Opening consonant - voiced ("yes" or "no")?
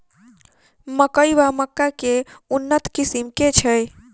yes